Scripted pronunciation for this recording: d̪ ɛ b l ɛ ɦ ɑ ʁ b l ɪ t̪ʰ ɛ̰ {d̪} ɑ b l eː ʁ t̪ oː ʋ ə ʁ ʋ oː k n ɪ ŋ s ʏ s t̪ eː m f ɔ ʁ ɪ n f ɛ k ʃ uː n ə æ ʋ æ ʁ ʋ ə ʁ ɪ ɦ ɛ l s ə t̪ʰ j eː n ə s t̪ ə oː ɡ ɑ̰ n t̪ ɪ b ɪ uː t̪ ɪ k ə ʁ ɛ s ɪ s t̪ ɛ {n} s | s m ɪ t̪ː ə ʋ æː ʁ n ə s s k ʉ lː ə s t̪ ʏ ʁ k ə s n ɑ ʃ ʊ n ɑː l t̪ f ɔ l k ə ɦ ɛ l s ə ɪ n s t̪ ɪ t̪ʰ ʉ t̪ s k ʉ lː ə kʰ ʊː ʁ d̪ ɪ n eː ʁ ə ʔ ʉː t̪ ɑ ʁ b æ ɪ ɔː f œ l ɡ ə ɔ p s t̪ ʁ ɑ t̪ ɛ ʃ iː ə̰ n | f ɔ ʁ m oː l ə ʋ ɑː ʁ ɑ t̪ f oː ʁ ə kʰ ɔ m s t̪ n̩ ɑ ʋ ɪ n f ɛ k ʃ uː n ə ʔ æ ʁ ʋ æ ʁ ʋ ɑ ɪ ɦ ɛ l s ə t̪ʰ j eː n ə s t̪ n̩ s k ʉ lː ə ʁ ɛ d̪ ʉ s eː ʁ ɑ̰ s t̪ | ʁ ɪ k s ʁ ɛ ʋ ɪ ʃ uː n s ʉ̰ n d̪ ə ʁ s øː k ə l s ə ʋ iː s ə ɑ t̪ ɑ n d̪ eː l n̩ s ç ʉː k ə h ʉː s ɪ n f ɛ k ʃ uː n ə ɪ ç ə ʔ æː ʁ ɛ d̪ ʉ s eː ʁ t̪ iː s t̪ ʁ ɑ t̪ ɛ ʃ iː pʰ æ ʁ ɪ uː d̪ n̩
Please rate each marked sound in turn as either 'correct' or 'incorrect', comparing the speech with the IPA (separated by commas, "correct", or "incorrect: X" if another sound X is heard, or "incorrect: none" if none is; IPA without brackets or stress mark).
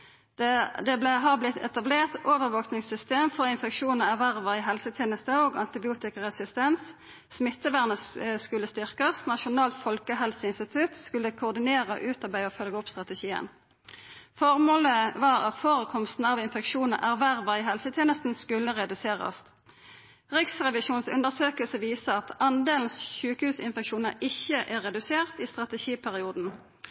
incorrect: t̪, correct